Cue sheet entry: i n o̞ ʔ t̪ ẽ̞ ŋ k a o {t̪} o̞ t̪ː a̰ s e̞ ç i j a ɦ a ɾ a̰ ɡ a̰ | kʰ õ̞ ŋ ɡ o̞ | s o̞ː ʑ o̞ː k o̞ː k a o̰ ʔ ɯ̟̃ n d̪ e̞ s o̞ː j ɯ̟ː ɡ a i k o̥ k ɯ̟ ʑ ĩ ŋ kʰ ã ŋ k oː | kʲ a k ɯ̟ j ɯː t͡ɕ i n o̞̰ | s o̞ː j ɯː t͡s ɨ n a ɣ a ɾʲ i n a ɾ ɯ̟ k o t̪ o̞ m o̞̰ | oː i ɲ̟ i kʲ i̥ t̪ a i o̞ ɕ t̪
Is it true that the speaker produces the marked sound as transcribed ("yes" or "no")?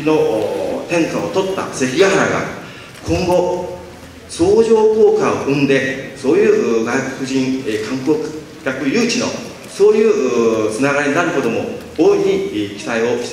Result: yes